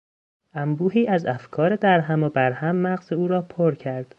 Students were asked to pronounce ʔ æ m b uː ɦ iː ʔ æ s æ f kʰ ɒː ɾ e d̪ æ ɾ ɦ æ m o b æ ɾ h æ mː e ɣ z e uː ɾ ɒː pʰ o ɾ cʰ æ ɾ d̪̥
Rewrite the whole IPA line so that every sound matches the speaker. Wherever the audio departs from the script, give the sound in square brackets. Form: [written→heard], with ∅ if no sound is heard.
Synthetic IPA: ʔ æ m b uː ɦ iː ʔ æ [s→z] æ f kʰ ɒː ɾ e d̪ æ ɾ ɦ æ m o b æ ɾ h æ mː [e→æ] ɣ z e uː ɾ ɒː pʰ o ɾ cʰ æ ɾ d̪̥